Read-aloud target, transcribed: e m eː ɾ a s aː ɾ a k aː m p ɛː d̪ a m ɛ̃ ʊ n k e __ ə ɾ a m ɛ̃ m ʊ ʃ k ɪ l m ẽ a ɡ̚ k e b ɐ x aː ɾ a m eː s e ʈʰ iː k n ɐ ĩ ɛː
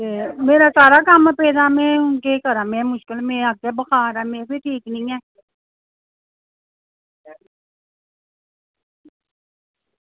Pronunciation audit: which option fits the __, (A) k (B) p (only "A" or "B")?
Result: A